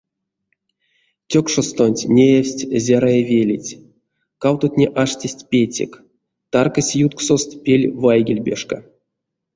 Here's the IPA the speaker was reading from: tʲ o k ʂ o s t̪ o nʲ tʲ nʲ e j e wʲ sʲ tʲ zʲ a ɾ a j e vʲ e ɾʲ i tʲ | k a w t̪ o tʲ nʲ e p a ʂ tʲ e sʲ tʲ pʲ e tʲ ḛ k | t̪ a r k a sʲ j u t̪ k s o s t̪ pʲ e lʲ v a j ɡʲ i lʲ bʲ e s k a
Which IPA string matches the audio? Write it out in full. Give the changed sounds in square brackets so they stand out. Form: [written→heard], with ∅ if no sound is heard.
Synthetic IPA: tʲ o k ʂ o s t̪ o nʲ tʲ nʲ e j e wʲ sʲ tʲ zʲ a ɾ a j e vʲ e [ɾʲ→lʲ] i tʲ | k a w t̪ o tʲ nʲ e [p→ʔ] a ʂ tʲ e sʲ tʲ pʲ e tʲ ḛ k | t̪ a r k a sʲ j u t̪ k s o s t̪ pʲ e lʲ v a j ɡʲ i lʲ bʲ e [s→ʂ] k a